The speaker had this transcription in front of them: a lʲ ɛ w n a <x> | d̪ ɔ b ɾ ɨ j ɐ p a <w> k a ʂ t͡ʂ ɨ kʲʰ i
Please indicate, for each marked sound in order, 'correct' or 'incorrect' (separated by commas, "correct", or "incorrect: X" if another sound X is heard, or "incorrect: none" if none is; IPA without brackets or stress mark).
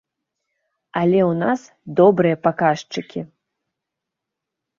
incorrect: s, incorrect: none